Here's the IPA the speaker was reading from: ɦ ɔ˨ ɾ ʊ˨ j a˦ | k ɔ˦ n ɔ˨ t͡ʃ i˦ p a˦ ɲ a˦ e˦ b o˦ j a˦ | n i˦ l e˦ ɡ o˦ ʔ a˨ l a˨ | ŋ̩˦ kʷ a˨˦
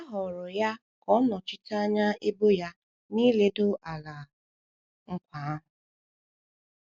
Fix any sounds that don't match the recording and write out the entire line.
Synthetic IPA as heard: ɦ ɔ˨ ɾ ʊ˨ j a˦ | k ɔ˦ n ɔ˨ t͡ʃ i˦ t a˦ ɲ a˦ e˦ b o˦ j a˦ | n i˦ l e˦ d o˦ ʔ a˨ l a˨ | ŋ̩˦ kʷ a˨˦

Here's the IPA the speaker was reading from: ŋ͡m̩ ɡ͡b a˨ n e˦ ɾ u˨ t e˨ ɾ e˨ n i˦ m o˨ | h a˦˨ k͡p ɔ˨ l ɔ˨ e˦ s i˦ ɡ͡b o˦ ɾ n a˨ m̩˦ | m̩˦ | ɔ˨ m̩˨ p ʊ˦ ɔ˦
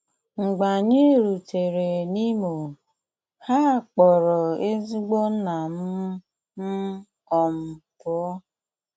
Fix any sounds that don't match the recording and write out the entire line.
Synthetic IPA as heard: ŋ͡m̩ ɡ͡b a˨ ɲ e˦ ɾ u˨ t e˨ ɾ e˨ n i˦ m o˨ | h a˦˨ k͡p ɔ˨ ɾ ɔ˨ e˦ z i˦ ɡ͡b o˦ n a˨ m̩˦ | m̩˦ | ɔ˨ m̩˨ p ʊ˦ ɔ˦

